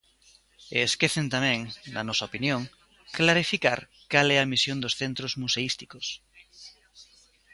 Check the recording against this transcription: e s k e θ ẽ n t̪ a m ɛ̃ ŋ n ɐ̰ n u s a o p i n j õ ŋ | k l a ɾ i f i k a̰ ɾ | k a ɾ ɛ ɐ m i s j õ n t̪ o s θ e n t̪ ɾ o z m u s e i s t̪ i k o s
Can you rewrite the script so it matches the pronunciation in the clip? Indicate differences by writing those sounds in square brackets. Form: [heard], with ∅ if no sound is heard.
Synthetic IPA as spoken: e s k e θ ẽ n t̪ a m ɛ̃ ŋ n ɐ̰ n [ɔ] s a o p i n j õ ŋ | k l a ɾ i f i k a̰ ɾ | k a [l] ɛ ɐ m i s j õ n [d̪] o s θ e n t̪ ɾ o z m u s e i s t̪ i k o s

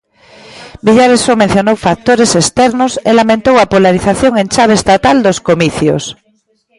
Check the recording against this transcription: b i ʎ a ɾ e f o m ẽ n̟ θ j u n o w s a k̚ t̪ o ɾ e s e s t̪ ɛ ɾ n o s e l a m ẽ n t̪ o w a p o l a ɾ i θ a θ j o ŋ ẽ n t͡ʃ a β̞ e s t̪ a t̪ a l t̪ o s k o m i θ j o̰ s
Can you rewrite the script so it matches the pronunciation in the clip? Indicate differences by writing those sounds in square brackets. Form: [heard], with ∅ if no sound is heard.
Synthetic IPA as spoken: b i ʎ a ɾ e [s] o m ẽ n̟ θ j [o] n o w [f] a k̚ t̪ o ɾ e s e s t̪ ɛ ɾ n o s e l a m ẽ n t̪ o w a p o l a ɾ i θ a θ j o ŋ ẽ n t͡ʃ a β̞ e s t̪ a t̪ a l [d̪] o s k o m i θ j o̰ s

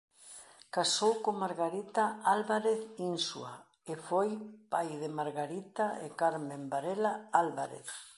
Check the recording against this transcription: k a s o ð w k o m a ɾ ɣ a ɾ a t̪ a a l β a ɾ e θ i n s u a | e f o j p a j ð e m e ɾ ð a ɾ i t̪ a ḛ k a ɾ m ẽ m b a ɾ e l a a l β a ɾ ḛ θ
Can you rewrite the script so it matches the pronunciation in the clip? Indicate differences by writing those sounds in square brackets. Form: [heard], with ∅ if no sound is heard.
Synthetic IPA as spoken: k a s o [∅] w k o m a ɾ ɣ a ɾ [i] t̪ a a l β a ɾ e θ i n s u a | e f o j p a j ð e m [a] ɾ [ɣ] a ɾ i t̪ a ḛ k a ɾ m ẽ m b a ɾ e l a a l β a ɾ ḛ θ

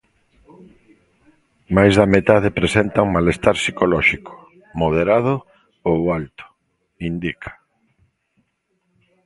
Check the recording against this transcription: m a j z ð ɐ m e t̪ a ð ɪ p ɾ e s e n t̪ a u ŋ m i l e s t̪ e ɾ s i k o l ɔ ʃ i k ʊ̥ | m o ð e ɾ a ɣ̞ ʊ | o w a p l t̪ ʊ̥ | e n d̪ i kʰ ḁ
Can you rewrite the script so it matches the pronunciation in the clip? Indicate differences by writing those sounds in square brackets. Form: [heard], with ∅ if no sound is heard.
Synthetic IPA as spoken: m a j z ð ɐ m e t̪ a ð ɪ p ɾ e s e n t̪ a u ŋ m [a] l e s t̪ [a] ɾ s i k o l ɔ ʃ i k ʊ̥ | m o ð e ɾ a [ð̞] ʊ | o w a [∅] l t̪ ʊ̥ | [i] n d̪ i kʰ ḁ

